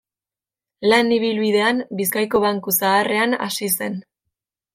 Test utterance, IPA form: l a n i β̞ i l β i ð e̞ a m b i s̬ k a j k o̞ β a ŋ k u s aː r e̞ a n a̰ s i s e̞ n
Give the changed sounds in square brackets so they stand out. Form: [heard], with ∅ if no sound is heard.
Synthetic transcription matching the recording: l a n i β̞ i l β i ð e̞ a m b i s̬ k a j k o̞ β a ŋ k u s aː r e̞ a n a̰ s i s e̞ n